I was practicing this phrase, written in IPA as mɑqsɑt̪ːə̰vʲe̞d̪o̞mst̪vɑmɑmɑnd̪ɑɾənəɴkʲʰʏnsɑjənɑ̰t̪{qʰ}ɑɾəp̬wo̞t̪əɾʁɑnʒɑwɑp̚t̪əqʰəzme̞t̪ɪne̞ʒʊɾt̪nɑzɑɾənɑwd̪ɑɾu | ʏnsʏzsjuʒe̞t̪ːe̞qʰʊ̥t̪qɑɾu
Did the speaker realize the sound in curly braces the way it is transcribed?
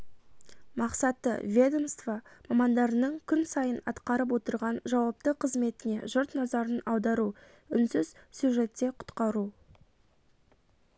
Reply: no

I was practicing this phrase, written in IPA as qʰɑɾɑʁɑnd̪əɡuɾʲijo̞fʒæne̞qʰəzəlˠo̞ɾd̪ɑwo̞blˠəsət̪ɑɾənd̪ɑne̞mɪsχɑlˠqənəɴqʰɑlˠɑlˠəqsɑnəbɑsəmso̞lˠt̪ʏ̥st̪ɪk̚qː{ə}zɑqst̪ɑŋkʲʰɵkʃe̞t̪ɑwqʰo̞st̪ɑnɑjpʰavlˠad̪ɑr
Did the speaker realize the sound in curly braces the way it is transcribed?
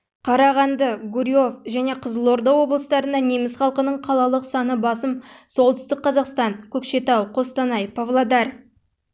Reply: no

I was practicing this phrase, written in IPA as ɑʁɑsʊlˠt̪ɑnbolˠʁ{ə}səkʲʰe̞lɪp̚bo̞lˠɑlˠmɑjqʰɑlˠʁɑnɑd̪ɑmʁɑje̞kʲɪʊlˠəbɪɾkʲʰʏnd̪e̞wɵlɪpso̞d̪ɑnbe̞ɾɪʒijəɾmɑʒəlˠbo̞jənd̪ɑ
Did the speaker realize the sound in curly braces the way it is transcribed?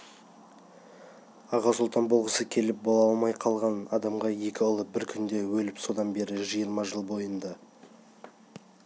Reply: yes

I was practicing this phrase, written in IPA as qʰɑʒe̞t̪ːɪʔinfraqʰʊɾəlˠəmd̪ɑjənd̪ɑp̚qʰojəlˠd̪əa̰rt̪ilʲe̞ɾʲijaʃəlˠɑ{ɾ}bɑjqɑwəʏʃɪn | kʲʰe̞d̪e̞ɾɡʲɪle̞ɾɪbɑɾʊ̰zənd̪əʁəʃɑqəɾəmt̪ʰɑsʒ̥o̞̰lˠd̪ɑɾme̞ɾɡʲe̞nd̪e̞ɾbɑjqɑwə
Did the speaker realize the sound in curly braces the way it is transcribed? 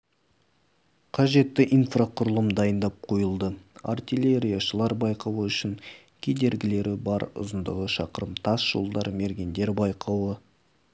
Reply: yes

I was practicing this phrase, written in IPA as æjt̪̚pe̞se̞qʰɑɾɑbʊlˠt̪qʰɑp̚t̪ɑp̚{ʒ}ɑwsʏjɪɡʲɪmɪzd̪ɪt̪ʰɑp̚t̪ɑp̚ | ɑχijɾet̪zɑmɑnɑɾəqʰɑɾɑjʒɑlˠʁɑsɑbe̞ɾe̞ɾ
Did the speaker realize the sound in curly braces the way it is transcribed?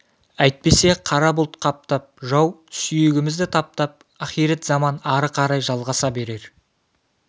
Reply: yes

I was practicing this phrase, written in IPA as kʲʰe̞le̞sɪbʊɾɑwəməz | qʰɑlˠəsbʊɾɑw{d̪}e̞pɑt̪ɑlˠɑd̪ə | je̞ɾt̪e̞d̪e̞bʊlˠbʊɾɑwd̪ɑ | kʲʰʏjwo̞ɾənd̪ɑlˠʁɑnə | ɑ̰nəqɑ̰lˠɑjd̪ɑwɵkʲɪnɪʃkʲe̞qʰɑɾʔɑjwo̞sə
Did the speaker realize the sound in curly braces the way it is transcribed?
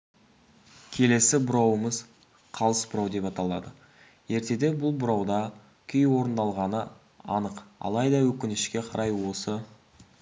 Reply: yes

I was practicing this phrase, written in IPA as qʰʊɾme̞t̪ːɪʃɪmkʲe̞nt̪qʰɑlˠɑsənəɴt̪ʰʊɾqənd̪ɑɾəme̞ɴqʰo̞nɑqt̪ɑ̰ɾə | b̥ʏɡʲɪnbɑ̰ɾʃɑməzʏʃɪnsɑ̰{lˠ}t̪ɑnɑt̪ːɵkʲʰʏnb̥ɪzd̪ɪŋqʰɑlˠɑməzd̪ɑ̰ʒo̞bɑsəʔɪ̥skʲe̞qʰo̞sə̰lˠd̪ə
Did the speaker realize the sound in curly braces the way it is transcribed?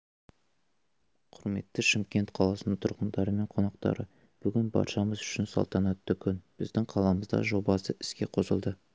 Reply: yes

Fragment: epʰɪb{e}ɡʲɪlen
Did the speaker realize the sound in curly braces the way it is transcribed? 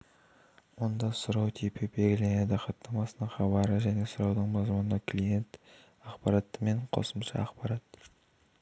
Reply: yes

